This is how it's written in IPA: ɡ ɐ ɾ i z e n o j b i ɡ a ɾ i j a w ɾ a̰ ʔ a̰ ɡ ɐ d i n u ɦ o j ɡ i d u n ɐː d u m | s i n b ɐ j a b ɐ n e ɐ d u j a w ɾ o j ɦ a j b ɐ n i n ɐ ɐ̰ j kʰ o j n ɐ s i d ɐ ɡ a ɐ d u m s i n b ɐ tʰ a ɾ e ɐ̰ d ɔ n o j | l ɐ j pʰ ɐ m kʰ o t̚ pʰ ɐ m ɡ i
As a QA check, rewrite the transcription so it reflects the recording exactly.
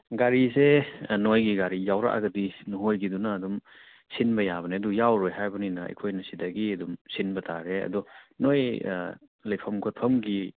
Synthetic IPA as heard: ɡ a ɾ i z e n o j ɡ i ɡ a ɾ i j a w ɾ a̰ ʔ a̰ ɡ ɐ d i n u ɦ o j ɡ i d u n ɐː d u m | s i n b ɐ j a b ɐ n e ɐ d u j a w ɾ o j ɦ a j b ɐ n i n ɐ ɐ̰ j kʰ o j n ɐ s i d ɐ ɡ i ɐ d u m s i n b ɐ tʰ a ɾ e ɐ̰ d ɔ n o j | l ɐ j pʰ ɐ m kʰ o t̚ pʰ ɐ m ɡ i